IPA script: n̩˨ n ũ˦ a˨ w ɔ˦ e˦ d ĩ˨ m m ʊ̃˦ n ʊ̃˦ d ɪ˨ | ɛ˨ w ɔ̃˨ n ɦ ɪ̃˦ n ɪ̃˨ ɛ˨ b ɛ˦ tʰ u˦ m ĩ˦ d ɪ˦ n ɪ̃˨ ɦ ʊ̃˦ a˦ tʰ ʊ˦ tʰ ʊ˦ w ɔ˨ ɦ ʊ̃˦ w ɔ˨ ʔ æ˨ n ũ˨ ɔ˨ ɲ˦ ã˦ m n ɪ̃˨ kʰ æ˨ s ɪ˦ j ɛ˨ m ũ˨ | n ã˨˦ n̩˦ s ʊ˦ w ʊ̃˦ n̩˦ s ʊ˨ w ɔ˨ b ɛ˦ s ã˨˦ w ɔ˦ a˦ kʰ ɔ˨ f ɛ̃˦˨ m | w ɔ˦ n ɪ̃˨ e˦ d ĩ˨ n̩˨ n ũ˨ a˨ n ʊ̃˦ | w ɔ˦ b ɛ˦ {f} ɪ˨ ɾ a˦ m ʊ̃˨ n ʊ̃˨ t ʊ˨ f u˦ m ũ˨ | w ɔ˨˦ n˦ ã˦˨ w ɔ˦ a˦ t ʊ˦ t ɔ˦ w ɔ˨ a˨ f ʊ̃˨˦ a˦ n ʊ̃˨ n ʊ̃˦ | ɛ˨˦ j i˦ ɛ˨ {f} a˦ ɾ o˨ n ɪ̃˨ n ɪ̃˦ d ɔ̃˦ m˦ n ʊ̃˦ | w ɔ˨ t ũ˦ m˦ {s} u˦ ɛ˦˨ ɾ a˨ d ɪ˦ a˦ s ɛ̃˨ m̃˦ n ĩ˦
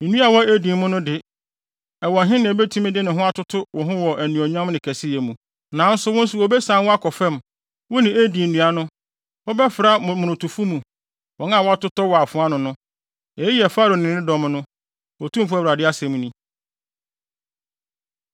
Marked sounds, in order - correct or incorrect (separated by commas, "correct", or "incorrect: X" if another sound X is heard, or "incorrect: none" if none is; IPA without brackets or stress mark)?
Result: correct, correct, incorrect: f